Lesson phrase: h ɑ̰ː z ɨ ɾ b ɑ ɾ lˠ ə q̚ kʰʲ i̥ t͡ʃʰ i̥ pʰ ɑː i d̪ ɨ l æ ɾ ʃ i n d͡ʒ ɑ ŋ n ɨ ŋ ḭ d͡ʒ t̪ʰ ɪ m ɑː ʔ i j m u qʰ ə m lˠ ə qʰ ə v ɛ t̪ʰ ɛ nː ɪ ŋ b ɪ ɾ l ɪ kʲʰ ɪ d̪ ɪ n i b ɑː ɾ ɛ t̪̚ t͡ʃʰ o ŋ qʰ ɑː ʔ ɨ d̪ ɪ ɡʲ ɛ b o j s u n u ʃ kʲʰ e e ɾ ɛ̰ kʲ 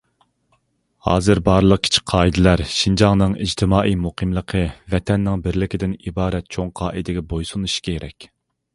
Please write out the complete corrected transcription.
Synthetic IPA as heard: h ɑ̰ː z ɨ ɾ b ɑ ɾ lˠ ə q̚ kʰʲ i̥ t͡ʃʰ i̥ qʰ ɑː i d̪ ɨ l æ ɾ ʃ i n d͡ʒ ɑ ŋ n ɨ ŋ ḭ d͡ʒ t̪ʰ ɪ m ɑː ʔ i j m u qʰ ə m lˠ ə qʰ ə v ɛ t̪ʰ ɛ nː ɪ ŋ b ɪ ɾ l ɪ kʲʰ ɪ d̪ ɪ n i b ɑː ɾ ɛ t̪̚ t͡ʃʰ o ŋ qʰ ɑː ʔ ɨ d̪ ɪ ɡʲ ɛ b o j s u n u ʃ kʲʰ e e ɾ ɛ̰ kʲ